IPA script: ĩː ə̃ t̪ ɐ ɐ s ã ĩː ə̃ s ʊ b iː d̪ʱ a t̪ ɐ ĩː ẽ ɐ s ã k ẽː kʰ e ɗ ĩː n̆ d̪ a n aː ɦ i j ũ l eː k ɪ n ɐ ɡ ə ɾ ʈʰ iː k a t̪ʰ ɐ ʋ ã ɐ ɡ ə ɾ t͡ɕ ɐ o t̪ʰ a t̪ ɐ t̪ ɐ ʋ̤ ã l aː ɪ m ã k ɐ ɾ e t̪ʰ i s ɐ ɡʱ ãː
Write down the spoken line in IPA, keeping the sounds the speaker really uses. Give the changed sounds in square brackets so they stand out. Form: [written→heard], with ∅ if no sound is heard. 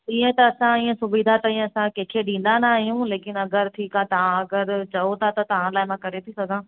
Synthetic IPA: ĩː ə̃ t̪ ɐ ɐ s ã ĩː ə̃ s ʊ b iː d̪ʱ a t̪ ɐ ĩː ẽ ɐ s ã k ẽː kʰ e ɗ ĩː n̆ d̪ a n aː ɦ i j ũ l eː k ɪ n ɐ ɡ ə ɾ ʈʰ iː k a [t̪ʰ→t̪] ɐ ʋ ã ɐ ɡ ə ɾ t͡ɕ ɐ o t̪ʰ a t̪ ɐ t̪ ɐ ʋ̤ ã l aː ɪ m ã k ɐ ɾ e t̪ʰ i s ɐ ɡʱ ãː